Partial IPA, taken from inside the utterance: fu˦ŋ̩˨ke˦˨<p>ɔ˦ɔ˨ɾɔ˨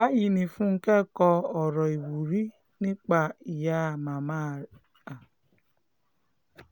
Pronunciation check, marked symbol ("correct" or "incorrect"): incorrect